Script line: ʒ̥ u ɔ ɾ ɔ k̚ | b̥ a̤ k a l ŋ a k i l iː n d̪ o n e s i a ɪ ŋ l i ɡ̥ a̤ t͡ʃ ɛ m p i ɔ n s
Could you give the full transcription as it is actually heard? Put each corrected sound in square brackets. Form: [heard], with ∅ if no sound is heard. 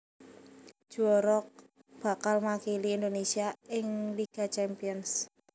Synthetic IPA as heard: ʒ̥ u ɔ ɾ ɔ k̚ | b̥ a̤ k a l [m] a k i l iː n d̪ o n e s i a ɪ ŋ l i ɡ̥ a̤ t͡ʃ ɛ m p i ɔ n s